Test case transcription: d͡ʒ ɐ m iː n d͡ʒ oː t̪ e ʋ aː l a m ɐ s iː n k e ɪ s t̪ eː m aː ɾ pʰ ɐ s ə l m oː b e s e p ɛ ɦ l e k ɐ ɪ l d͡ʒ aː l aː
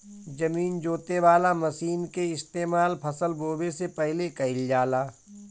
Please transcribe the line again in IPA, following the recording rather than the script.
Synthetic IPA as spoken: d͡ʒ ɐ m iː n d͡ʒ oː t̪ e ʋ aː l a m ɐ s iː n k e ɪ s t̪ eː m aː l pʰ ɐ s ə l b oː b e s e p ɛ ɦ l e k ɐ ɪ l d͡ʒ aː l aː